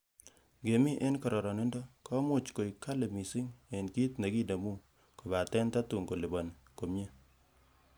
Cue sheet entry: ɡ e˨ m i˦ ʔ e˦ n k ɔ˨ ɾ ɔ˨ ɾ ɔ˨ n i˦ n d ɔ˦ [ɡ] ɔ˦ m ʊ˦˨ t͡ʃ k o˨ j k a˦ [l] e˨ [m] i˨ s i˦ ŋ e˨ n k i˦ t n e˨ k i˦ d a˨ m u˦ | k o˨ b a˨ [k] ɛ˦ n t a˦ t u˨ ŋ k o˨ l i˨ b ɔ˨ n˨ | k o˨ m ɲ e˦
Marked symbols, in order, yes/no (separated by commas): no, yes, yes, no